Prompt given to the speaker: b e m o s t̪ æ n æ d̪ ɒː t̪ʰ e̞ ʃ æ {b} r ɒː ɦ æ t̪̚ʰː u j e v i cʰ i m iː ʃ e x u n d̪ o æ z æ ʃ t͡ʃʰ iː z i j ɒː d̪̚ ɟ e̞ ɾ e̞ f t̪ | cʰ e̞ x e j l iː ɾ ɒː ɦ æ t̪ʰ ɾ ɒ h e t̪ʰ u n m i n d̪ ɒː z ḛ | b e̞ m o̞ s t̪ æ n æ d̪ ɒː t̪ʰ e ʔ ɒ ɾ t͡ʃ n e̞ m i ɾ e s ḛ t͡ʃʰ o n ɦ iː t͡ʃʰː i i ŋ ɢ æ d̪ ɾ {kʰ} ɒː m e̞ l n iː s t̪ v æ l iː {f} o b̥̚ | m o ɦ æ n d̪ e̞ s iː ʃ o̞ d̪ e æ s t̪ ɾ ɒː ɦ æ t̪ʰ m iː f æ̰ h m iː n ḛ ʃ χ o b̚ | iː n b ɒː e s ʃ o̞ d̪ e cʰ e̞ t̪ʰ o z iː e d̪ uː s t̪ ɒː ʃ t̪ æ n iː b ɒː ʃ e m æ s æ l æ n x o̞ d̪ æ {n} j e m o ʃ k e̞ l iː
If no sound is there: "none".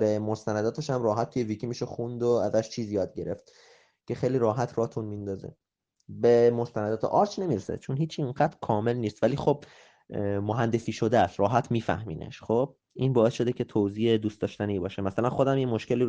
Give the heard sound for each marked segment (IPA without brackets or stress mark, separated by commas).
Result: m, kʰ, x, m